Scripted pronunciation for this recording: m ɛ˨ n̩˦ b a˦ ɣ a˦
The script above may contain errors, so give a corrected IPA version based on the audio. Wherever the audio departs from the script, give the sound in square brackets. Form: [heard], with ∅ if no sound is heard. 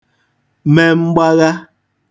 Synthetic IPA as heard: m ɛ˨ [m̩˦] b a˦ ɣ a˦